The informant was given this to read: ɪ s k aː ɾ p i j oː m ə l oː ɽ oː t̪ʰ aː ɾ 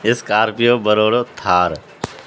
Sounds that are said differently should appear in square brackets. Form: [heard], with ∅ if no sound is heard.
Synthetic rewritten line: ɪ s k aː ɾ p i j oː [b] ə [ɾ] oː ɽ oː t̪ʰ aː ɾ

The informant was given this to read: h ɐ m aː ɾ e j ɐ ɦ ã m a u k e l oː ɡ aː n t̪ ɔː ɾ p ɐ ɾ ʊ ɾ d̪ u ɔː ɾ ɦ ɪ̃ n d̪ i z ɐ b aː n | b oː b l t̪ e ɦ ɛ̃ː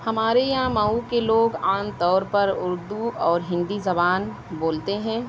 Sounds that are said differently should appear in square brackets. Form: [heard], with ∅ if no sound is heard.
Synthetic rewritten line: h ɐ m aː ɾ e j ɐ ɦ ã m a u k e l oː ɡ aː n t̪ ɔː ɾ p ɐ ɾ ʊ ɾ d̪ u ɔː ɾ ɦ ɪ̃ n d̪ i z ɐ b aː n | b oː [∅] l t̪ e ɦ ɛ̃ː

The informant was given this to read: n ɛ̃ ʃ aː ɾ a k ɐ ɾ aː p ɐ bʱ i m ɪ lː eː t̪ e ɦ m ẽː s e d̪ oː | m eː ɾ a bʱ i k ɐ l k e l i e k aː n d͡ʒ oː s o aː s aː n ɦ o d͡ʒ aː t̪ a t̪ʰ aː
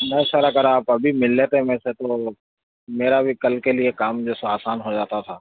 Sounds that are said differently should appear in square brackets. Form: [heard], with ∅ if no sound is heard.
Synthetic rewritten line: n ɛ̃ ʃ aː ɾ a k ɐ ɾ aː p ɐ bʱ i m ɪ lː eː t̪ e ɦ m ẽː s e [t̪] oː | m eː ɾ a bʱ i k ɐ l k e l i e k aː [m] d͡ʒ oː s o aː s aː n ɦ o d͡ʒ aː t̪ a t̪ʰ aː

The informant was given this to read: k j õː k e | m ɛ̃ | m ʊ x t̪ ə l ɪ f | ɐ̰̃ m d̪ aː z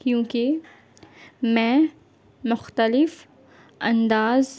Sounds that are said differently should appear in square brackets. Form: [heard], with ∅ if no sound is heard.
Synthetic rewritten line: k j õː k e | m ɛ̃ | m ʊ x t̪ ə l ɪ f | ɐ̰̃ [n] d̪ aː z

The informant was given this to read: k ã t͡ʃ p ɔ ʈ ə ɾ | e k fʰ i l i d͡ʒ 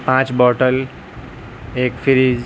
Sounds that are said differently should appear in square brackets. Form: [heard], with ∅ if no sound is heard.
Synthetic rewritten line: [p] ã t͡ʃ [b] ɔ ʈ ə [l] | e k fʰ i [ɾ] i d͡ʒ

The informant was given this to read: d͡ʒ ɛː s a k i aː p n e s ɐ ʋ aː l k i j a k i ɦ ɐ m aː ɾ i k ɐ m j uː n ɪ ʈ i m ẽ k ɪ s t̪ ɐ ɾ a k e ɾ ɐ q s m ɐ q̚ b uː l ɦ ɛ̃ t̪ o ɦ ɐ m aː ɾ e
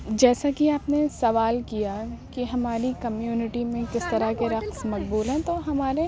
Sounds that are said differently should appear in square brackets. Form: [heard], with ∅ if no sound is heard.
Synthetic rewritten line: d͡ʒ ɛː s a k i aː p n e s ɐ ʋ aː l k i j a k i ɦ ɐ m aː ɾ i k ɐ m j uː n ɪ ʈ i m ẽ k ɪ s t̪ ɐ ɾ a k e ɾ ɐ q s m ɐ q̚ b uː l ɦ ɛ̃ t̪ o ɦ ɐ m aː ɾ e

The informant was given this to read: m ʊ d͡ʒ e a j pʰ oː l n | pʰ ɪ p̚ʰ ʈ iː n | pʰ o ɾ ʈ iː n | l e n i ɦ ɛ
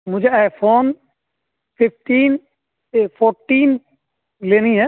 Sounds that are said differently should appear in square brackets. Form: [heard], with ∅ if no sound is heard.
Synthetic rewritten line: m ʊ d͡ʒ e a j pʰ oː [∅] n | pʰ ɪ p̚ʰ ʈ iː n | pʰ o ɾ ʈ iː n | l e n i ɦ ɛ

